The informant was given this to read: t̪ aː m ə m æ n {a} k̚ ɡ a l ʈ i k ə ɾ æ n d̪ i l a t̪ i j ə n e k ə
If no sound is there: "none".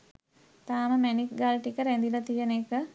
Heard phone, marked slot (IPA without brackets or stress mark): i